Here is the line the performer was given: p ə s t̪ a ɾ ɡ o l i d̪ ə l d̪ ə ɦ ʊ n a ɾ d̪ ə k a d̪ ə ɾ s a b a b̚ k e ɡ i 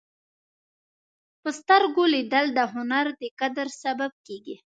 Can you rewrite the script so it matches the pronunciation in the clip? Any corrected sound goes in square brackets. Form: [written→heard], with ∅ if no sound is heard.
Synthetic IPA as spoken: p ə s t̪ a ɾ ɡ o l i d̪ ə l d̪ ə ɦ ʊ n a ɾ d̪ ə k a d̪ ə ɾ s a b a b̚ k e ɡ i

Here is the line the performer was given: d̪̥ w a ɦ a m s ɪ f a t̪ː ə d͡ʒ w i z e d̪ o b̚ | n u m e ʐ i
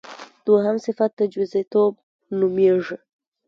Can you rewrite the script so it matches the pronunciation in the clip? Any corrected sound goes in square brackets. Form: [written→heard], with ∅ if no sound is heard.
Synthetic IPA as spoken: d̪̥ w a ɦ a m s ɪ f a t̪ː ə d͡ʒ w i z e [d̪→t̪] o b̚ | n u m e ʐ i

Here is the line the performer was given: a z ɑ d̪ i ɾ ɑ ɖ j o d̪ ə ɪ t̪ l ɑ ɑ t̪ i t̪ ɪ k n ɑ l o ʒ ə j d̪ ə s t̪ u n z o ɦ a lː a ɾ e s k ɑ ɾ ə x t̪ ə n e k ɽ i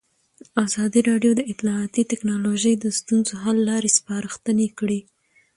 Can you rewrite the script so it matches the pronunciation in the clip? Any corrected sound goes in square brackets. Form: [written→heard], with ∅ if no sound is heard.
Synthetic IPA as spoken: a z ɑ d̪ i ɾ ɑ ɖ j o d̪ ə ɪ t̪ l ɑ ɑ t̪ i t̪ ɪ k n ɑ l o ʒ ə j d̪ ə s t̪ u n z o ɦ a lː [a→ɑ] ɾ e s [k→p] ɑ ɾ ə x t̪ ə n e k ɽ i

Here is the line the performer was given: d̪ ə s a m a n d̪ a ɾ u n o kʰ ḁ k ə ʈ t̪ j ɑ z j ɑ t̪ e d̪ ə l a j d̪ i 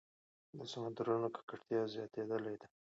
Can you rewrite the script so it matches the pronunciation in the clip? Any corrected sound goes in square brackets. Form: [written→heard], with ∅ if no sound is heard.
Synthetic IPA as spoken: d̪ ə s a m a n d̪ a ɾ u n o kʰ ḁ k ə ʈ t̪ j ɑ z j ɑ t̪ e d̪ ə l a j d̪ [i→a]

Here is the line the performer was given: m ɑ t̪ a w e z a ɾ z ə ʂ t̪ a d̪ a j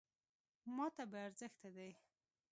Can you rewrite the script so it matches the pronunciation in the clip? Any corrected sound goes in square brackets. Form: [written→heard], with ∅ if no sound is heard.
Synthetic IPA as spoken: m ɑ t̪ a [w→b] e [z→∅] a ɾ z ə [ʂ→x] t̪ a d̪ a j

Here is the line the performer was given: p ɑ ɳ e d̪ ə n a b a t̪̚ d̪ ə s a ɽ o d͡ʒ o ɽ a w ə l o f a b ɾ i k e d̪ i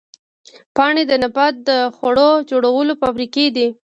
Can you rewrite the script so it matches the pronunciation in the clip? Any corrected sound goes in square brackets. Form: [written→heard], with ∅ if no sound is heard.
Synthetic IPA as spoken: p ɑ ɳ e d̪ ə n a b a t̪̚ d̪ ə [s→x] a ɽ o d͡ʒ o ɽ a w ə l o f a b ɾ i k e d̪ i

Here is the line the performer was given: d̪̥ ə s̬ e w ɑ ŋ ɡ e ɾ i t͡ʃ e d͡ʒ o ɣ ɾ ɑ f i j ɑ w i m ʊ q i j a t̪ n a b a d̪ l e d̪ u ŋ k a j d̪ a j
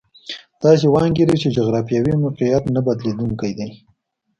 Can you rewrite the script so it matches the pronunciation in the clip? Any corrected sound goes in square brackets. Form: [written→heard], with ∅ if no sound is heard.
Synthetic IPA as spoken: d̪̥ [ə→ɑ] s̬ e w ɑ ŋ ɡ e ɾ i t͡ʃ e d͡ʒ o ɣ ɾ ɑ f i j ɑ w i m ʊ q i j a t̪ n a b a d̪ l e d̪ u ŋ k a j d̪ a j

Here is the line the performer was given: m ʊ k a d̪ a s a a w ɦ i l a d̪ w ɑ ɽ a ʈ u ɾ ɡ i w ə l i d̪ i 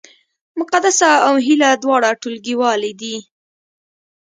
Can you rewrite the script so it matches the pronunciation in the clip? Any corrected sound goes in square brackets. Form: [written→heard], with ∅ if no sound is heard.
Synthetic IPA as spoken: m ʊ [k→q] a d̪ a s a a w ɦ i l a d̪ w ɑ ɽ a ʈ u [ɾ→l] ɡ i w [ə→ɑ] l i d̪ i

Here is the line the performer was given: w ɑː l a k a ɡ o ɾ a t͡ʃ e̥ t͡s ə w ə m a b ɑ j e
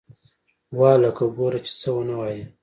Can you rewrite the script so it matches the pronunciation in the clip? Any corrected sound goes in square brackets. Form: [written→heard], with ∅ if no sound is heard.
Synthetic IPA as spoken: w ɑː l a k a ɡ o ɾ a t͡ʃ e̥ t͡s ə w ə [m→n] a [b→w] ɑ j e

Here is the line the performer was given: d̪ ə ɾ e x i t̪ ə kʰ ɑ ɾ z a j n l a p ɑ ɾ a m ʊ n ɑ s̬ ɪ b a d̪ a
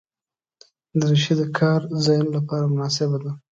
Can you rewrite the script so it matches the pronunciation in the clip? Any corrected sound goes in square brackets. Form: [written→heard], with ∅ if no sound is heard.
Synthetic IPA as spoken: d̪ ə ɾ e [x→ʃ] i [t̪→d̪] ə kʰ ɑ ɾ z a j n l a p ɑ ɾ a m ʊ n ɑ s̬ ɪ b a d̪ a

